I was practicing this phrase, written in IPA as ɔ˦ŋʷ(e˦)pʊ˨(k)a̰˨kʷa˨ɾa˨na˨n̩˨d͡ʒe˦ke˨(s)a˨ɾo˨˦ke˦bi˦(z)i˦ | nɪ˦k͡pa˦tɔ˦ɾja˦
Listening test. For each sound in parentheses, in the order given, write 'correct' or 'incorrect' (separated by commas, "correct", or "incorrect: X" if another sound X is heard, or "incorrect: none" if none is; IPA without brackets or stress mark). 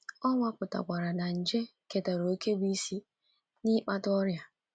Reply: incorrect: a˦, incorrect: t, incorrect: t, incorrect: s